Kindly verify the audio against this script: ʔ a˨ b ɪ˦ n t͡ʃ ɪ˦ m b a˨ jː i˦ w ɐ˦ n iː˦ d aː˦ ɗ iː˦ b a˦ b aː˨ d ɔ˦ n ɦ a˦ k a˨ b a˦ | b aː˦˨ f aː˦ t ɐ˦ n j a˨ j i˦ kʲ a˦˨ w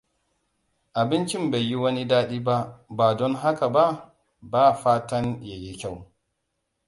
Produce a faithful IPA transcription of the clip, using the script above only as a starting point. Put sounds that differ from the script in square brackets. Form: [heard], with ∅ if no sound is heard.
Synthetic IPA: ʔ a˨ b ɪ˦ n t͡ʃ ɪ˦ m b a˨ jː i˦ w ɐ˦ n [i˦] d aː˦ ɗ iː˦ b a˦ b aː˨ d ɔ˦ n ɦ a˦ k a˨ b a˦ | b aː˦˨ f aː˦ t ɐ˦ n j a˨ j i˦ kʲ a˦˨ w